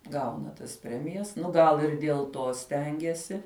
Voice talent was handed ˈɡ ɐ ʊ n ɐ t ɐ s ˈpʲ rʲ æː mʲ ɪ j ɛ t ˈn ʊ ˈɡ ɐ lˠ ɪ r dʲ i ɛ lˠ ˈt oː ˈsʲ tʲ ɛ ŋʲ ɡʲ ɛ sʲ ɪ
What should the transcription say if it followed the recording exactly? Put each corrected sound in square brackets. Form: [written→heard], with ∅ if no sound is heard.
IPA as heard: ˈɡ ɐ ʊ n ɐ t ɐ s ˈpʲ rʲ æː mʲ ɪ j ɛ [t→s] ˈn ʊ ˈɡ ɐ lˠ ɪ r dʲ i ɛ lˠ ˈt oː ˈsʲ tʲ ɛ ŋʲ ɡʲ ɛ sʲ ɪ